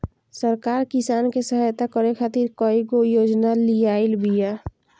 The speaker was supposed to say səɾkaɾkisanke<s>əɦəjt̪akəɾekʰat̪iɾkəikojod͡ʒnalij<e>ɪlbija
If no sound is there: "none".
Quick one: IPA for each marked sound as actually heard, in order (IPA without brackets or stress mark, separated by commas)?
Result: s, a